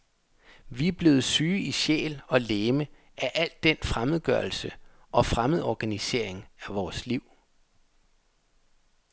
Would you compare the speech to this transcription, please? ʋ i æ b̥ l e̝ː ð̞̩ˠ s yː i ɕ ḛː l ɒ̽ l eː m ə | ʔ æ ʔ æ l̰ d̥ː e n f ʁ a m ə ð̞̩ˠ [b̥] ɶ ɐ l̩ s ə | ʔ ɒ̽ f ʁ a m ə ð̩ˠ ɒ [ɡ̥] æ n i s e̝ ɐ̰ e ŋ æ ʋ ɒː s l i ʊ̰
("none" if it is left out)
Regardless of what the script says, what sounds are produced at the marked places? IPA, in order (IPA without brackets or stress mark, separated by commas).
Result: ɡ̥, ɡ̥